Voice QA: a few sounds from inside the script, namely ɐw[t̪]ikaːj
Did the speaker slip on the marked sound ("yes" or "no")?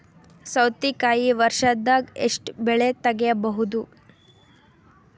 no